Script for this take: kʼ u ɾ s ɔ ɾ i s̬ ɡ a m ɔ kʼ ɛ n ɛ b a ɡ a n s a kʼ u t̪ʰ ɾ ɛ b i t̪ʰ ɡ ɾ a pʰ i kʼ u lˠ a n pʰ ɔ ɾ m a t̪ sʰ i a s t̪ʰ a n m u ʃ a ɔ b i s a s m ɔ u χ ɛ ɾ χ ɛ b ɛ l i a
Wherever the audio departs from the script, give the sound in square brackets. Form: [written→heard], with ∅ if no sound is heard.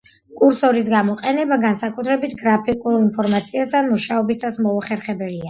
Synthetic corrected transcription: kʼ u ɾ s ɔ ɾ i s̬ ɡ a m ɔ [kʼ→qʼ] ɛ n ɛ b a ɡ a n s a kʼ u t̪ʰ ɾ ɛ b i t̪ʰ ɡ ɾ a pʰ i kʼ u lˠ [a→i] n pʰ ɔ ɾ m a t̪ sʰ i a s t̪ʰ a n m u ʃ a ɔ b i s a s m ɔ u χ ɛ ɾ χ ɛ b ɛ l i a